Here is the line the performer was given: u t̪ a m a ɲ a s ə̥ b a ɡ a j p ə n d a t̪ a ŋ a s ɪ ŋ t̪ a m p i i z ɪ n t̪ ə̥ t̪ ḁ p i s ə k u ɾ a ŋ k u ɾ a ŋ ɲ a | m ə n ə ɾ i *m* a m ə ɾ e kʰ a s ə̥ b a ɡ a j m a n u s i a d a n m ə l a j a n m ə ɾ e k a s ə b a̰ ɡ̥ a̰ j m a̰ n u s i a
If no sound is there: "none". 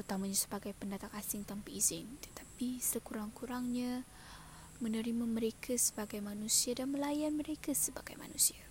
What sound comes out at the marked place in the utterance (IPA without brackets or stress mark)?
m